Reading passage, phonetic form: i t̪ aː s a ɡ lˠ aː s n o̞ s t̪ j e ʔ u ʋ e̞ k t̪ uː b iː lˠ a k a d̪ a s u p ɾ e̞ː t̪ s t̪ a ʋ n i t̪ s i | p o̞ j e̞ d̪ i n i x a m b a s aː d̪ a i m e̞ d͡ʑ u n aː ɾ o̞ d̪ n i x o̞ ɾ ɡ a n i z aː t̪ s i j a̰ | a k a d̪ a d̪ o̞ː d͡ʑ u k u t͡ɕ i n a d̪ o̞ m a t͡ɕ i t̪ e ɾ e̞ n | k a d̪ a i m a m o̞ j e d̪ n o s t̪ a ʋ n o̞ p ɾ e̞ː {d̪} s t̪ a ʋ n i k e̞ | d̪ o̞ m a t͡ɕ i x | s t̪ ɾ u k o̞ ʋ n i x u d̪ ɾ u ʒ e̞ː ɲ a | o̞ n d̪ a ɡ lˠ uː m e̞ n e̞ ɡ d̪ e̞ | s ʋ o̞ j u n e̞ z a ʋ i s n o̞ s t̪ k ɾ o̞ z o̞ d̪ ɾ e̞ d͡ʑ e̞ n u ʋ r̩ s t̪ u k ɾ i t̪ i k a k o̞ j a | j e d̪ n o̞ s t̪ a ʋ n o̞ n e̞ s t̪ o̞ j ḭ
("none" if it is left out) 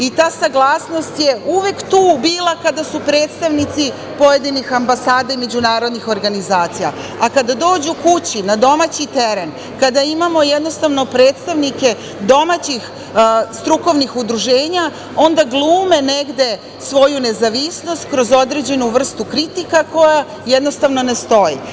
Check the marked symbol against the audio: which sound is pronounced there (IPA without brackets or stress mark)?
t̪